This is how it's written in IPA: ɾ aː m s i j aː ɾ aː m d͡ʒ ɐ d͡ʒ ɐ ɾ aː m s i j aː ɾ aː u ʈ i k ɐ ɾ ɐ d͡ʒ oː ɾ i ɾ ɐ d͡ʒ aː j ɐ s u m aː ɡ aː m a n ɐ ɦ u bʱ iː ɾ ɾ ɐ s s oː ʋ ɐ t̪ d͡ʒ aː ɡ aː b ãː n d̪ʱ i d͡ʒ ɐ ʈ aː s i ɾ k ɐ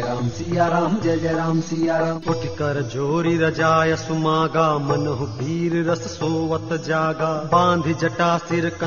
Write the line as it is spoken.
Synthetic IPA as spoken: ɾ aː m s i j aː ɾ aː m d͡ʒ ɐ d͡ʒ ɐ ɾ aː m s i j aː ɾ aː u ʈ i k ɐ ɾ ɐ d͡ʒ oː ɾ i ɾ ɐ d͡ʒ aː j ɐ s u m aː ɡ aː m ɐ n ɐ ɦ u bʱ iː ɾ ɾ ɐ s s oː ʋ ɐ t̪ d͡ʒ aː ɡ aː b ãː n d̪ʱ i d͡ʒ ɐ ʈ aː s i ɾ k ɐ